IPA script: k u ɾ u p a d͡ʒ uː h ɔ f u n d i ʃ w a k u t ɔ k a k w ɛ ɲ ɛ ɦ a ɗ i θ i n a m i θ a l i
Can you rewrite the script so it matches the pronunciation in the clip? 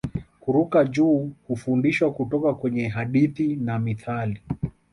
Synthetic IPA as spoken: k u ɾ u k a d͡ʒ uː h u f u n d i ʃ w a k u t ɔ k a k w ɛ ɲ ɛ ɦ a ɗ i θ i n a m i θ a l i